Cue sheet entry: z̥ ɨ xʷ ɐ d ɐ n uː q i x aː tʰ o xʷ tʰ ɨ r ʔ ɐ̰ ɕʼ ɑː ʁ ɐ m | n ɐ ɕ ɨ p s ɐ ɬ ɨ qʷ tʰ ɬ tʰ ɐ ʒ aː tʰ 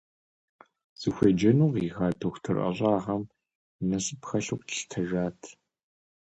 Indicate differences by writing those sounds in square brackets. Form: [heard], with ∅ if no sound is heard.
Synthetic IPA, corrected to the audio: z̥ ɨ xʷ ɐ [d͡ʒ] ɐ n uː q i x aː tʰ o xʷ tʰ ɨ r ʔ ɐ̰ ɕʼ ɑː ʁ ɐ m | n ɐ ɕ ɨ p [x] ɐ ɬ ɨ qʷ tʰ ɬ tʰ ɐ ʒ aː tʰ